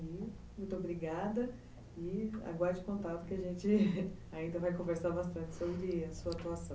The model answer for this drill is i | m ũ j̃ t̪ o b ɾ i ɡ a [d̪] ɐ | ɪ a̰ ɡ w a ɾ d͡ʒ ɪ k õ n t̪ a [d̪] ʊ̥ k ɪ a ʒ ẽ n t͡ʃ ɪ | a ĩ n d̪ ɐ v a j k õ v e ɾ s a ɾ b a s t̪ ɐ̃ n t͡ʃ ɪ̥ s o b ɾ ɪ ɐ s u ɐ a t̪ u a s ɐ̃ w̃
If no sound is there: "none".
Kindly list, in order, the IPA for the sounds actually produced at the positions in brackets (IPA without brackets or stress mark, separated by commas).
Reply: d̪, t̪